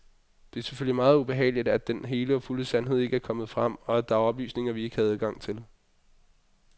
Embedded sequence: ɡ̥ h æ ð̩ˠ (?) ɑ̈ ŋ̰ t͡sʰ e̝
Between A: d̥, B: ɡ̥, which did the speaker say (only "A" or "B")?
B